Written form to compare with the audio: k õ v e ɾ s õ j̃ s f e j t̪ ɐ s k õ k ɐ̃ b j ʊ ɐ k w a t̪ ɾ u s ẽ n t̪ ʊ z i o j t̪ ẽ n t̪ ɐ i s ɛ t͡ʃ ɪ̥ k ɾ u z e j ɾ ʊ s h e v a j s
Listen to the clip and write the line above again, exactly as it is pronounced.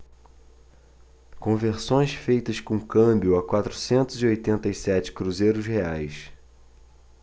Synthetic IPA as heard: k õ v e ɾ s õ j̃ s f e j t̪ ɐ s k õ k ɐ̃ b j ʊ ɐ k w a t̪ ɾ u s ẽ n t̪ ʊ z i o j t̪ ẽ n t̪ ɐ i s ɛ t͡ʃ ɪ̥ k ɾ u z e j ɾ ʊ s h e a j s